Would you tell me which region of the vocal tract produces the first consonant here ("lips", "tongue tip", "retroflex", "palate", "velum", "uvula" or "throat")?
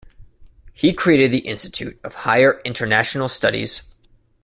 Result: throat